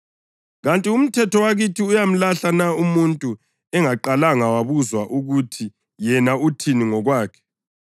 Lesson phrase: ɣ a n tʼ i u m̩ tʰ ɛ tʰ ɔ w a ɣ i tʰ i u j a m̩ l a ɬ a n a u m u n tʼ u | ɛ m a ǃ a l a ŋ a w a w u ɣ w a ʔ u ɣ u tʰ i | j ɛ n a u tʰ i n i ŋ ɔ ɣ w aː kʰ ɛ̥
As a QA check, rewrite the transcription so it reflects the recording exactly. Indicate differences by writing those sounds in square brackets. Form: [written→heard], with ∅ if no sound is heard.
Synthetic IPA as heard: ɣ a n tʼ i u m̩ tʰ ɛ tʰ ɔ w a ɣ i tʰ i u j a m̩ l a ɬ a n a u m u n tʼ u | ɛ [m→ŋ] a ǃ a l a ŋ a w a [w→β] u [ɣ→z] w a ʔ u ɣ u tʰ i | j ɛ n a u tʰ i n i ŋ ɔ ɣ w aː kʰ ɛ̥